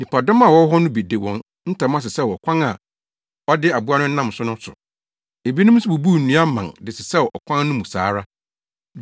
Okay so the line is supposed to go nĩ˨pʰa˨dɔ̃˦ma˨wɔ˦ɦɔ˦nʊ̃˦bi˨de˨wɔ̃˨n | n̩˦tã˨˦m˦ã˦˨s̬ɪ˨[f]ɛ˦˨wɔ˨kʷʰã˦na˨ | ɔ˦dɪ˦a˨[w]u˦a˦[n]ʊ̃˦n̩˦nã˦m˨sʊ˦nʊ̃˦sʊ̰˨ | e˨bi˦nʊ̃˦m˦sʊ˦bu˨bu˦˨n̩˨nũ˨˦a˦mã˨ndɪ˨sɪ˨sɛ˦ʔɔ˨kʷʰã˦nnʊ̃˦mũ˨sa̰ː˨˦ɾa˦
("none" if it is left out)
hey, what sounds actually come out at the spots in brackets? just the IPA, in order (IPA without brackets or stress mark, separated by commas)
s, b, n